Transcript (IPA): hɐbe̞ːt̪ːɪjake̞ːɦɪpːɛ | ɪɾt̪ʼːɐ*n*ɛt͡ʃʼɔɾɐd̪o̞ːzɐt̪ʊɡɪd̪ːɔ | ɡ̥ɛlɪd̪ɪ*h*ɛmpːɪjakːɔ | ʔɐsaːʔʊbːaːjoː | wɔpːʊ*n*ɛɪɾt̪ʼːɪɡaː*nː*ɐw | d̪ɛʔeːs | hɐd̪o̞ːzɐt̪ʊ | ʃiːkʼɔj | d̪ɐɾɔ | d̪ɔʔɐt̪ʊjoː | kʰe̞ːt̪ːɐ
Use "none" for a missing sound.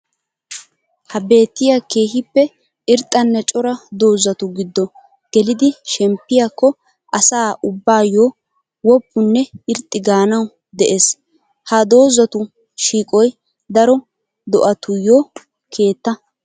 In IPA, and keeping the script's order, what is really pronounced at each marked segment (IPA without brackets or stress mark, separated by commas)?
nː, ʃ, nː, n